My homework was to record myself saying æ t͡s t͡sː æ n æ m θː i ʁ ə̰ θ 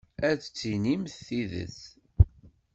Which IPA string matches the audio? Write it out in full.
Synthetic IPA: æ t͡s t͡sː i n i m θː i ð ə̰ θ